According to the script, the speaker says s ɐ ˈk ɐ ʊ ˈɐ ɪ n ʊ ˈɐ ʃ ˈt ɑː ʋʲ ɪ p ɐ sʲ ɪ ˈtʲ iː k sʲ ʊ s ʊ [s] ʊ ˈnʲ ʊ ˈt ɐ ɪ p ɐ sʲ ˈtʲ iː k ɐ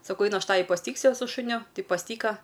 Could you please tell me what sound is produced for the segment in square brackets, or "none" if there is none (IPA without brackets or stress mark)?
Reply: ʃ